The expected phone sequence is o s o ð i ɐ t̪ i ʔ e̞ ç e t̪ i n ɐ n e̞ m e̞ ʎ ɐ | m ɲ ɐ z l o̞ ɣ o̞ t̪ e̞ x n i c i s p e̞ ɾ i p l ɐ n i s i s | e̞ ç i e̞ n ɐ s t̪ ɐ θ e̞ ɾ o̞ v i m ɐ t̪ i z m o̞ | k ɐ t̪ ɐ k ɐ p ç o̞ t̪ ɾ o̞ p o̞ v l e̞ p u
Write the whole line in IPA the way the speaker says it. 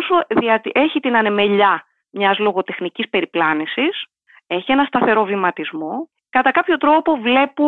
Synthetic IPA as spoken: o s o ð i ɐ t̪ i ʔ e̞ ç i t̪ i n ɐ n e̞ m e̞ ʎ ɐ | m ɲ ɐ z l o̞ ɣ o̞ t̪ e̞ x n i c i s p e̞ ɾ i p l ɐ n i s i s | e̞ ç i e̞ n ɐ s t̪ ɐ θ e̞ ɾ o̞ v i m ɐ t̪ i z m o̞ | k ɐ t̪ ɐ k ɐ p ç o̞ t̪ ɾ o̞ p o̞ v l e̞ p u